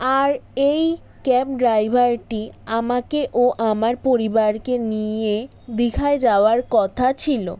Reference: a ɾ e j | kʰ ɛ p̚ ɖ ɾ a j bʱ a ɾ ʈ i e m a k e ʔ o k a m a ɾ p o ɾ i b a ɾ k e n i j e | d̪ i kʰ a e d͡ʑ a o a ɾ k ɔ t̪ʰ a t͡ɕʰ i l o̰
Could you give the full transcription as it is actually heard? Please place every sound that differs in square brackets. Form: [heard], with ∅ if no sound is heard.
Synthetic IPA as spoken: a ɾ e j | [k] ɛ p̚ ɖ ɾ a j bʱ a ɾ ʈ i [a] m a k e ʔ o [ʔ] a m a ɾ p o ɾ i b a ɾ k e n i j e | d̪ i kʰ a e d͡ʑ a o a ɾ k ɔ t̪ʰ a t͡ɕʰ i l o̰